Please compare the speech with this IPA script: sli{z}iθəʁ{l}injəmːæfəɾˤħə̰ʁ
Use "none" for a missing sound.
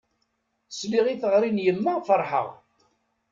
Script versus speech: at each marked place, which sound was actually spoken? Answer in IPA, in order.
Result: ʁ, ɾ

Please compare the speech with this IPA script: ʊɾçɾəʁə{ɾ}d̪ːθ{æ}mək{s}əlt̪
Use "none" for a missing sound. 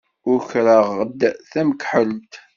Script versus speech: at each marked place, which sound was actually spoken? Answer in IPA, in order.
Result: none, æ, ħ

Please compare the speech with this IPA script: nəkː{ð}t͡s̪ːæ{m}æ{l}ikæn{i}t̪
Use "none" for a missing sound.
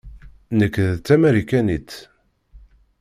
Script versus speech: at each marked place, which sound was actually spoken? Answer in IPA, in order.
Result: ð, m, ɾ, i

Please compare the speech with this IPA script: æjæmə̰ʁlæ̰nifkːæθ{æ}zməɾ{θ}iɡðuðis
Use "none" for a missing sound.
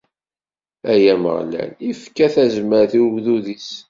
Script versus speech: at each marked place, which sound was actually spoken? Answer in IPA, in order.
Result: æ, θ

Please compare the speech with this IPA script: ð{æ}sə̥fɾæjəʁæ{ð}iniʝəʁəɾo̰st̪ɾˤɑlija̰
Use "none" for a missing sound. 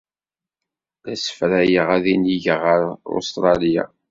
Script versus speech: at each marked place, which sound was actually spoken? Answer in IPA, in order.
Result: æ, ð

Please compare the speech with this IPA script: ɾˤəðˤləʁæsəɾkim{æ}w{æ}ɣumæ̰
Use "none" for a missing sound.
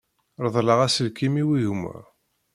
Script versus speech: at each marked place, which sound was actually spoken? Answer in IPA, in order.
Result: i, i

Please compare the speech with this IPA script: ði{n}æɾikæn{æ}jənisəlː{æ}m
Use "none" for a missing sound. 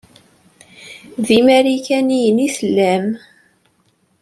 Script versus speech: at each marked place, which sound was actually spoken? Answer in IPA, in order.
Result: m, i, æ

